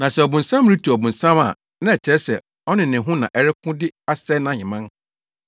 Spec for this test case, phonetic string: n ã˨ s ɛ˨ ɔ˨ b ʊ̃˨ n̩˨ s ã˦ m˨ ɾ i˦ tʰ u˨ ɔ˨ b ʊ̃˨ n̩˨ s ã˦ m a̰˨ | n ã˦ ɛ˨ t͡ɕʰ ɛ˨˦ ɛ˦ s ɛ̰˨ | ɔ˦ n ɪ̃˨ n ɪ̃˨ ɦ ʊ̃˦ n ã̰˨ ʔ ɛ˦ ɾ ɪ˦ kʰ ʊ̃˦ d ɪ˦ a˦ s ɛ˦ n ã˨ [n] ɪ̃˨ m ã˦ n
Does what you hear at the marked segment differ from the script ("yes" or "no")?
yes